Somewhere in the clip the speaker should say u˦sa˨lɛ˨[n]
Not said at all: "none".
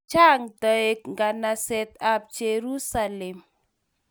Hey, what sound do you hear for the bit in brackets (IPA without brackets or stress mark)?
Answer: m